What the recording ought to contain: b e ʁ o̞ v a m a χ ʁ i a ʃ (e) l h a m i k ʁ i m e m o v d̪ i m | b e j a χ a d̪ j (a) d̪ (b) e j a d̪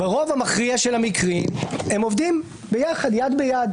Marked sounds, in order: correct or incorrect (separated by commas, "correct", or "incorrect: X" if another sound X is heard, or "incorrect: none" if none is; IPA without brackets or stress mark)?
correct, correct, correct